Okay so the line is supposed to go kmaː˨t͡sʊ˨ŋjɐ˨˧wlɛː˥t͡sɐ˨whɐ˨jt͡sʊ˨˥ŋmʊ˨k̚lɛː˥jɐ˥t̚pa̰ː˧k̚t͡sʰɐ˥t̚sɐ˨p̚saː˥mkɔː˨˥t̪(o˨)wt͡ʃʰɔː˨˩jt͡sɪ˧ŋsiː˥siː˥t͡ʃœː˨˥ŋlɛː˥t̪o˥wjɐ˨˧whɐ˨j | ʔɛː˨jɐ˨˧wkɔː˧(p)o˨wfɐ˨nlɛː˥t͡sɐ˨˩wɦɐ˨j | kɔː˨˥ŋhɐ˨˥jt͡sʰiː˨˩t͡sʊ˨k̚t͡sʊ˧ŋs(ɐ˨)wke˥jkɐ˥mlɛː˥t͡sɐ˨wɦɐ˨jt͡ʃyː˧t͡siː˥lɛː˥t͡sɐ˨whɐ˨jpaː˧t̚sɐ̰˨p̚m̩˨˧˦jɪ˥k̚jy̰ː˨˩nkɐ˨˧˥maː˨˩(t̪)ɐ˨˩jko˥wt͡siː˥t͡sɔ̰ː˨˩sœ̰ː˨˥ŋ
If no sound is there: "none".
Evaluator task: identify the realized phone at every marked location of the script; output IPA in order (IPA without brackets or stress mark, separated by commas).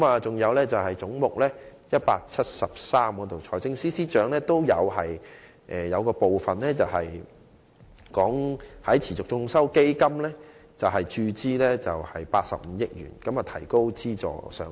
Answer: o˨, p, ɐ˥, t̪ʰ